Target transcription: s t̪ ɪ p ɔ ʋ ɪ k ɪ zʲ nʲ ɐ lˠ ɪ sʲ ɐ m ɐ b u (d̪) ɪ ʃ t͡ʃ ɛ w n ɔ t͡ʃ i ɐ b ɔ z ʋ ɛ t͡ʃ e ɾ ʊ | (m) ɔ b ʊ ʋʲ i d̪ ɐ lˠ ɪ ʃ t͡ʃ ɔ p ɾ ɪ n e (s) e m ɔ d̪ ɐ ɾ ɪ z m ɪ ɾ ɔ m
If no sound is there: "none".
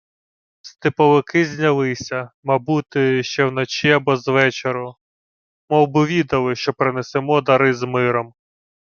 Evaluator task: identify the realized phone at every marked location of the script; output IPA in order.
t̪, m, s

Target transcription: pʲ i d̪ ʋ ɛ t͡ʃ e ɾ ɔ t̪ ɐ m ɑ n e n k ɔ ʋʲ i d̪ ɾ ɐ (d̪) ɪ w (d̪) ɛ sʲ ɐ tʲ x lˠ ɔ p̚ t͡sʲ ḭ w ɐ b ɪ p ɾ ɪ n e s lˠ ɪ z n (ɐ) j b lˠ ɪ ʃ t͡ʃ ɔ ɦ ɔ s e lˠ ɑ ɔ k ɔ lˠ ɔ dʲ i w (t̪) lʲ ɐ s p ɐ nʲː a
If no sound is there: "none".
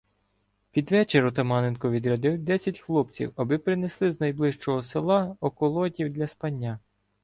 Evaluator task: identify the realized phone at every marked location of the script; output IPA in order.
d̪, d̪, ɐ, d̪

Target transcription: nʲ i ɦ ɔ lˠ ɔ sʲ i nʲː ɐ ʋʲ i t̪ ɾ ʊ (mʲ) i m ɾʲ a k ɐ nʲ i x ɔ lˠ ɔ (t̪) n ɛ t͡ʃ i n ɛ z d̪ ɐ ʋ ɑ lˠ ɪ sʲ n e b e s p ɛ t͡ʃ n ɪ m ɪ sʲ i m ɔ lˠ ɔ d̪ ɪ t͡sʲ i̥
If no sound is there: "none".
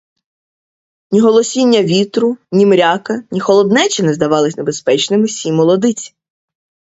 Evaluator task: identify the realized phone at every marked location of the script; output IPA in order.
nʲ, d̪

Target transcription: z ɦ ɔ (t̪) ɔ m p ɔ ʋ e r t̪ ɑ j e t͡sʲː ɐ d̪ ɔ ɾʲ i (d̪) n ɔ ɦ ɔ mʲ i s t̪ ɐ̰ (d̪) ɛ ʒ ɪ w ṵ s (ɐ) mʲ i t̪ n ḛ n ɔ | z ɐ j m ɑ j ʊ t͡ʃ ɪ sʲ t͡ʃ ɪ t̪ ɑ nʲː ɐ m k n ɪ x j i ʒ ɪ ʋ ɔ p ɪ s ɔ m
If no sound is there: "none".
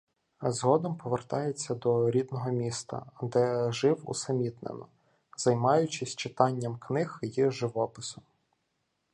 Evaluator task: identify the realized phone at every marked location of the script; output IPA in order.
d̪, d̪, d̪, ɐ

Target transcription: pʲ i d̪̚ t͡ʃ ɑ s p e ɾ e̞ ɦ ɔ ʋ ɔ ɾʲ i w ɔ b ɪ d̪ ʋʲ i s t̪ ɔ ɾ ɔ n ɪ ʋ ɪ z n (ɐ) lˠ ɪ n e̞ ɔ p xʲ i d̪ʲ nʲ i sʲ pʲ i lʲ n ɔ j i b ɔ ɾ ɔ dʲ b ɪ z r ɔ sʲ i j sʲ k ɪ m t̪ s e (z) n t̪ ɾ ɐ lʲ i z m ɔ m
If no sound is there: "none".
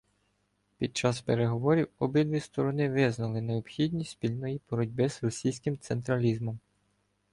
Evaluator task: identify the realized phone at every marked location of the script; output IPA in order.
ɐ, none

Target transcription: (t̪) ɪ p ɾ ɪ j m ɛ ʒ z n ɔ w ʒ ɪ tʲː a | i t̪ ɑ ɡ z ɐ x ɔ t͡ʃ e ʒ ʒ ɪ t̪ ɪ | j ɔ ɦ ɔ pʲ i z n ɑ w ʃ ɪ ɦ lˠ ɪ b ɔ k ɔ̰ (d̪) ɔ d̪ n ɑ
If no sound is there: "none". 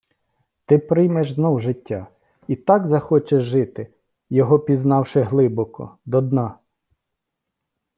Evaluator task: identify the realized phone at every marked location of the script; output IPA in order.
t̪, d̪

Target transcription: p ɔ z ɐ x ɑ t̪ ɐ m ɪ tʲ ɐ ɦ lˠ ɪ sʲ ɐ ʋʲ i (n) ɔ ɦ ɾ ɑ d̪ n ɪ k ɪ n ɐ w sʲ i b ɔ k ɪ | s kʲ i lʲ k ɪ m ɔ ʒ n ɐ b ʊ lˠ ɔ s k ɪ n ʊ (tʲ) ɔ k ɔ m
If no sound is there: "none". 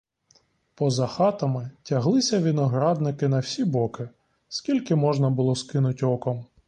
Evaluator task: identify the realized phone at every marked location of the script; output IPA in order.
n, tʲ

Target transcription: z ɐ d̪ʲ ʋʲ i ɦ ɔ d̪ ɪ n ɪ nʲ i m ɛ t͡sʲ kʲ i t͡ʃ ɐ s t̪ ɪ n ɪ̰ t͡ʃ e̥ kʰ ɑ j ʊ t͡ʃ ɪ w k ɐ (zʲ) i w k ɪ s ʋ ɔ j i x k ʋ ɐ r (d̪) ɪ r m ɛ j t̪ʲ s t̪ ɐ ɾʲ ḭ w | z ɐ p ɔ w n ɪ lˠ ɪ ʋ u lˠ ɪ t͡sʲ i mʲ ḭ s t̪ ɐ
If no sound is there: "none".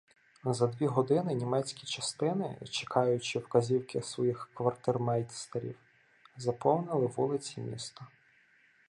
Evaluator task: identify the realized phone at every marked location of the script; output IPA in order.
zʲ, t̪

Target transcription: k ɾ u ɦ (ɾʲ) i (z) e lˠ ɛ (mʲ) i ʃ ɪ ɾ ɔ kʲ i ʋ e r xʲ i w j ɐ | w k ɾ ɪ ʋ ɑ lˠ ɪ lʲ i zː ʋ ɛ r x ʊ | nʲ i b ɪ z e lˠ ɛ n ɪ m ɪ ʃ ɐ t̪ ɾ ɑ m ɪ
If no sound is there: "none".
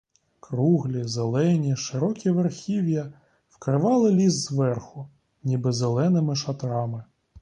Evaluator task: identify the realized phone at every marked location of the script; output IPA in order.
lʲ, z, nʲ

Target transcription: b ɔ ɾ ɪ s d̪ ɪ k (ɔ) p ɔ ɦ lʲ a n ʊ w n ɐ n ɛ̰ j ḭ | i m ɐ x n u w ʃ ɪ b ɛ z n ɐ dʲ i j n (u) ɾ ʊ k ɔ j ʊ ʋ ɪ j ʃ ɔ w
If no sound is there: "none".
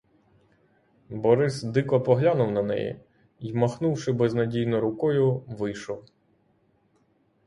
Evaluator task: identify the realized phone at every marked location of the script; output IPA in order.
ɔ, ɔ

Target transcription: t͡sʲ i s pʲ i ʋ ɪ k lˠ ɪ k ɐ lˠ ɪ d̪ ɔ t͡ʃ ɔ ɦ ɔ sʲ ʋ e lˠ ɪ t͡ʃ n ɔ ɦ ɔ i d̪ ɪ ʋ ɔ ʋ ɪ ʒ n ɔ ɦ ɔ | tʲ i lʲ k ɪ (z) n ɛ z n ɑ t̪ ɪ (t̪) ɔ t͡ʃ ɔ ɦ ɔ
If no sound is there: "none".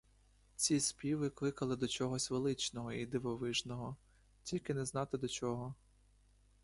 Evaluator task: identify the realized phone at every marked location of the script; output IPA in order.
none, d̪

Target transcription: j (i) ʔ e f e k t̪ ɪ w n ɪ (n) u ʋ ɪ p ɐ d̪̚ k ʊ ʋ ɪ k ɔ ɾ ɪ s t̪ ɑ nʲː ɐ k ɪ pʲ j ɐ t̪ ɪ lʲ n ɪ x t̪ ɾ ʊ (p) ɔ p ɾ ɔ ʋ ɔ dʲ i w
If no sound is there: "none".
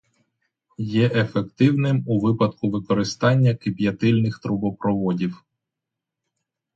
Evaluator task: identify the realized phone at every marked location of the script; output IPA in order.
ɛ, m, b

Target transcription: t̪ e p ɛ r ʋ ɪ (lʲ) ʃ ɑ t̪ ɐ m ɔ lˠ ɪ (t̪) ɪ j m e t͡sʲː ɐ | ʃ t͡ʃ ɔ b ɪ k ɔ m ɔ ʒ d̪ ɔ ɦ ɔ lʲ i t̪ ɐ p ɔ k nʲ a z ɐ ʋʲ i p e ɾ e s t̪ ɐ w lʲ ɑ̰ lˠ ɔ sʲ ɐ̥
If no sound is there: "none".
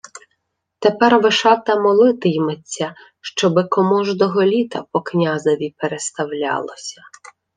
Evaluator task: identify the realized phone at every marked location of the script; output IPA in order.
none, t̪

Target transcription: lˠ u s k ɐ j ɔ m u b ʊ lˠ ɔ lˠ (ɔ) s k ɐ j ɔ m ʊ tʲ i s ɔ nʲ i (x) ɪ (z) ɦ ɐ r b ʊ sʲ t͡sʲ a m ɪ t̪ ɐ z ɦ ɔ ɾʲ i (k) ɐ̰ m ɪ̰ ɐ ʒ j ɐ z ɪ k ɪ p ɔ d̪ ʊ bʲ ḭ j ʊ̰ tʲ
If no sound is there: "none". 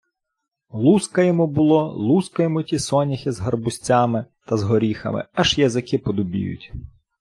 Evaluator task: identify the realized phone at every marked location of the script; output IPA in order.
u, x, z, x

